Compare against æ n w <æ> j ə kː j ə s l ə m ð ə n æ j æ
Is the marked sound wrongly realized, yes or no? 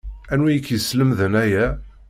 yes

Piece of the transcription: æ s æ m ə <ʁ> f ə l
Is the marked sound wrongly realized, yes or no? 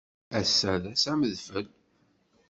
yes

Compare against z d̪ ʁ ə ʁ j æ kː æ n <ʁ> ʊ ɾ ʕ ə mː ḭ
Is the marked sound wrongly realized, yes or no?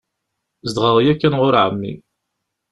no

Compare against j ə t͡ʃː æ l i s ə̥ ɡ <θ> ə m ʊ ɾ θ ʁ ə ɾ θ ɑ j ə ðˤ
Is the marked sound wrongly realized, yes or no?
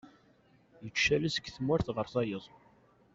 no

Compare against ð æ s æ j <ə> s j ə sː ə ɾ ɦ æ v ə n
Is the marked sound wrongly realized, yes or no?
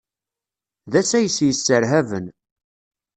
no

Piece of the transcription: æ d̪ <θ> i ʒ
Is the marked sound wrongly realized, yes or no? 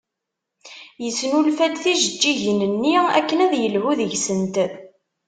no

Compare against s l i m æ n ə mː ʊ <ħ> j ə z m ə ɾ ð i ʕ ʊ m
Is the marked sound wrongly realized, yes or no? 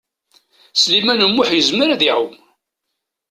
no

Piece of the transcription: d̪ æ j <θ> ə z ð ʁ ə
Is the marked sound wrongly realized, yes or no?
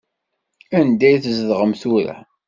no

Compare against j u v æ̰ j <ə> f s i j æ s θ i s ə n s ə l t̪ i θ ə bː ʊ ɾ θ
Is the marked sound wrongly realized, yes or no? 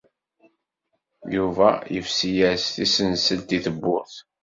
no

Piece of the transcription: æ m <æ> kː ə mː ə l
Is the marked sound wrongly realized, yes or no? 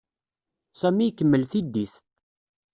yes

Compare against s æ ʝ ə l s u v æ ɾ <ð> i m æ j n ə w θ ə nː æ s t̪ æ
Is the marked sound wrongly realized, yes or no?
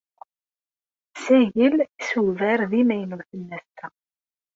no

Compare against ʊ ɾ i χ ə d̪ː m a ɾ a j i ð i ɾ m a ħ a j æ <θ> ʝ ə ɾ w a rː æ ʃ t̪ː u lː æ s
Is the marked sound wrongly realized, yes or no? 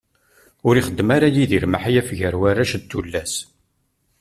yes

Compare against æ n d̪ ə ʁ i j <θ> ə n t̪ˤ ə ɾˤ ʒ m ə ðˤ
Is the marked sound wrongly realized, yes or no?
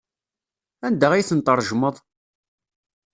no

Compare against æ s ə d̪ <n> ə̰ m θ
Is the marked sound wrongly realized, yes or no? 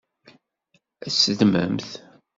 yes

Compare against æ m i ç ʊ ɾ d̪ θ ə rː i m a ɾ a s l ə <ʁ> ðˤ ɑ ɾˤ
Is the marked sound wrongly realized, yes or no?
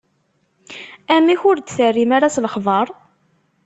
yes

